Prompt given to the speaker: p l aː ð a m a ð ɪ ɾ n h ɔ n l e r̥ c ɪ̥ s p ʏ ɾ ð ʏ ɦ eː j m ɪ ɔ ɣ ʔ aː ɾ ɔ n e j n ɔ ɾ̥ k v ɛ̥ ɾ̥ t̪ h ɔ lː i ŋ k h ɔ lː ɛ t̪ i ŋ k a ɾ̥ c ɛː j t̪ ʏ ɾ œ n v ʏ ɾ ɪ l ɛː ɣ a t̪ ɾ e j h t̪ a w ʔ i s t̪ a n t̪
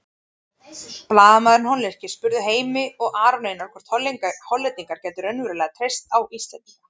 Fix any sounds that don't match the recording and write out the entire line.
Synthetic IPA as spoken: p l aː ð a m a ð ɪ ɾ n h ɔ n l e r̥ c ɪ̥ s p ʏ ɾ ð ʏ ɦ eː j m ɪ ɔ ɣ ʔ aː ɾ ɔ n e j n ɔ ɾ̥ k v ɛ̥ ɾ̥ t̪ h ɔ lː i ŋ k h ɔ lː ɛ t̪ i ŋ k a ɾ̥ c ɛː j t̪ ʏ ɾ œ n v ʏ ɾ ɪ l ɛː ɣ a t̪ʰ ɾ e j s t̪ a w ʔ i s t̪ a n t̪